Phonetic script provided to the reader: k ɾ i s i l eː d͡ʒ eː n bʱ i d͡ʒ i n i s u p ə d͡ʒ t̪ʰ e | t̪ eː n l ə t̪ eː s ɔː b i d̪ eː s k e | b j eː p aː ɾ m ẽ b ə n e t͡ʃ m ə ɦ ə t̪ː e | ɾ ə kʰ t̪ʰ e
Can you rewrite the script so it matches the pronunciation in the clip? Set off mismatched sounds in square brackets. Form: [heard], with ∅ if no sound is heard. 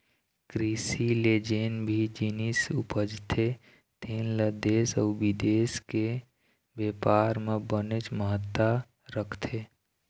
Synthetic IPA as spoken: k ɾ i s i l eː d͡ʒ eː n bʱ i d͡ʒ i n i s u p ə d͡ʒ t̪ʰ e | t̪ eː n l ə [d̪] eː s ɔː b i d̪ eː s k e | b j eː p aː ɾ m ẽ b ə n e t͡ʃ m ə ɦ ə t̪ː [a] | ɾ ə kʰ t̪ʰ e